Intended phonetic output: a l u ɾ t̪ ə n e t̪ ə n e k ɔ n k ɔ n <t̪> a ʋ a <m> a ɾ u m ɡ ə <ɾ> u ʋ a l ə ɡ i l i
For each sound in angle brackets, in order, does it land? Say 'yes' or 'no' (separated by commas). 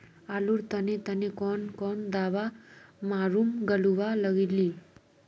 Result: no, yes, no